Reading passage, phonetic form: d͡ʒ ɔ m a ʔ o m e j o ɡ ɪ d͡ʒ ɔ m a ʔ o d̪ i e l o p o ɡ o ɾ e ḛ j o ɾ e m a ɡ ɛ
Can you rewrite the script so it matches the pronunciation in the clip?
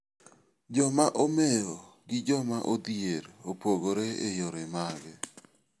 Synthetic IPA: d͡ʒ ɔ m a ʔ o m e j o ɡ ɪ d͡ʒ ɔ m a ʔ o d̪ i e ɾ o p o ɡ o ɾ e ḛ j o ɾ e m a ɡ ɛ